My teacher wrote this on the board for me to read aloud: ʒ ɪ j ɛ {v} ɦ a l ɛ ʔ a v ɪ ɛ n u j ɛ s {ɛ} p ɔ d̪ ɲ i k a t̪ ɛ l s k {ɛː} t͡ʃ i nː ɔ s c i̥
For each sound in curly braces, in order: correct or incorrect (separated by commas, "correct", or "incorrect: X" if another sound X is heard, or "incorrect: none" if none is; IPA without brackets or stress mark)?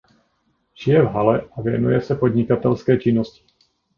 correct, correct, correct